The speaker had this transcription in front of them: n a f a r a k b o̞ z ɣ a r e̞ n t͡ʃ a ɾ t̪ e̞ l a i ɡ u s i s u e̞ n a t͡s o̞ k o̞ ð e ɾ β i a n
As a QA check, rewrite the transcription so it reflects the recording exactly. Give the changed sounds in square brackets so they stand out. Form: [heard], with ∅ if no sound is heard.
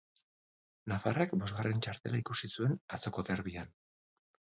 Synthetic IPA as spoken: n a f a r a k b o̞ z ɣ a r e̞ n t͡ʃ a ɾ t̪ e̞ l a i [k] u s i s u e̞ n a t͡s o̞ k o̞ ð e ɾ β i a n